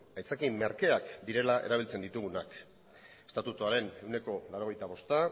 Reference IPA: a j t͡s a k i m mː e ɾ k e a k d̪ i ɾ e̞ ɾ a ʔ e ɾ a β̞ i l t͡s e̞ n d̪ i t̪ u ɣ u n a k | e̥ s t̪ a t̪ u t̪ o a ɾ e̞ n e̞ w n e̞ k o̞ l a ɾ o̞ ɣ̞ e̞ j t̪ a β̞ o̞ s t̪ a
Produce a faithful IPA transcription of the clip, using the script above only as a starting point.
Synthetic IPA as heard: a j t͡s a k i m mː e ɾ k e a k d̪ i ɾ e̞ l a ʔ e ɾ a β̞ i l t͡s e̞ n d̪ i t̪ u ɣ u n a k | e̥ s t̪ a t̪ u t̪ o a ɾ e̞ n e̞ w n e̞ k o̞ l a ɾ o̞ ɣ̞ e̞ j t̪ a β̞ o̞ s t̪ a